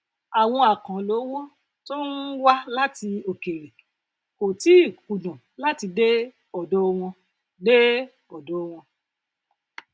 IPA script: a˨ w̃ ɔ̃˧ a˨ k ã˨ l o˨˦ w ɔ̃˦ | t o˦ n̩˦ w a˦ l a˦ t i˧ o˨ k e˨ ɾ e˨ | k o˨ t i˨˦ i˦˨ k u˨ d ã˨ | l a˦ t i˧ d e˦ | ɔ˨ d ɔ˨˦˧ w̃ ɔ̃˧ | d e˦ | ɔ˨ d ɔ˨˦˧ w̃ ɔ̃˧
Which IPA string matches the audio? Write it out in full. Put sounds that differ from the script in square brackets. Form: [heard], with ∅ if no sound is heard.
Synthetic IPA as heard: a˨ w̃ ɔ̃˧ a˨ k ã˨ l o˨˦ w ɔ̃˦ | t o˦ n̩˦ w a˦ l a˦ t i˧ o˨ k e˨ ɾ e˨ | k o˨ t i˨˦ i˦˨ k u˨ d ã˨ | l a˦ t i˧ d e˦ | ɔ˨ d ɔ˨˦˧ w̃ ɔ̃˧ | d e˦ | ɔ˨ d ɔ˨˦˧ w̃ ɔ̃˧